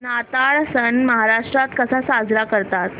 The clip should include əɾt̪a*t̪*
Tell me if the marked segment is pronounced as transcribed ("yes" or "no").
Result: yes